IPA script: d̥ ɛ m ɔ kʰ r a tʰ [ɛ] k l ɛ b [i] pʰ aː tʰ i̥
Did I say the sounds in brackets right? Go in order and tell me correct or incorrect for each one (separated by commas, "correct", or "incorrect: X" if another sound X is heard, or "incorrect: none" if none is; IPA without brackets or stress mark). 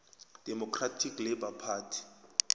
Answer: incorrect: i, incorrect: a